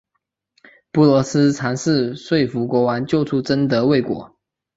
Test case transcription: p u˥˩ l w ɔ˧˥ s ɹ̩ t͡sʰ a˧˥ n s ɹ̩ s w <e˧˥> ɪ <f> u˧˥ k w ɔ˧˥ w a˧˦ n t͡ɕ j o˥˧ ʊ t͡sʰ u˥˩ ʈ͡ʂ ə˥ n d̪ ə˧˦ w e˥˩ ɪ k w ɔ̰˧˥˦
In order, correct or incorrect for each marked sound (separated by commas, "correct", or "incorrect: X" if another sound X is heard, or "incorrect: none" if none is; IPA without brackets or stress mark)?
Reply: incorrect: e˥˩, correct